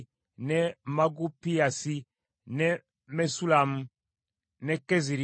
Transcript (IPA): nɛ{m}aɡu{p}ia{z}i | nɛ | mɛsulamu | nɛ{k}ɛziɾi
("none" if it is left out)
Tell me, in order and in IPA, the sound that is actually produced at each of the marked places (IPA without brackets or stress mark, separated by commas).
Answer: m, p, s, k